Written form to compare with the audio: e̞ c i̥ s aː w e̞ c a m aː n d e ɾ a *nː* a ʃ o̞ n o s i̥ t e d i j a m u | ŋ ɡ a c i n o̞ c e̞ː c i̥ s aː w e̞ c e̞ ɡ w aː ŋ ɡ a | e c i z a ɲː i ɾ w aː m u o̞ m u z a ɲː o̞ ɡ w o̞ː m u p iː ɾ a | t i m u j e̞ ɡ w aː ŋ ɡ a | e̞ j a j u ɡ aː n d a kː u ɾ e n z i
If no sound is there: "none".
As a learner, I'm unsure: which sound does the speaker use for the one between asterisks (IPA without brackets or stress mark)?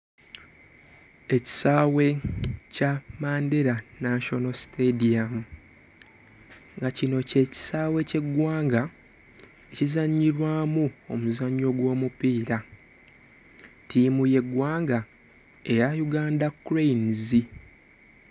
n